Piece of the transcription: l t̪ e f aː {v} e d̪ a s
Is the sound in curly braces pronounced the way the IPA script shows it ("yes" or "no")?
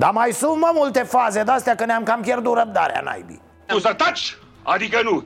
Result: no